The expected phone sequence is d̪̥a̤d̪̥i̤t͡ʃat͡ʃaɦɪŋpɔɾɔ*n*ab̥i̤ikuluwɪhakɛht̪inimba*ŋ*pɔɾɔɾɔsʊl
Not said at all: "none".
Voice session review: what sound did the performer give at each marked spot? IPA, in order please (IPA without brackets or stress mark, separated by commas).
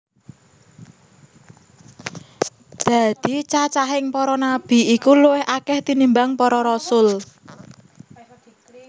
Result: n, ŋ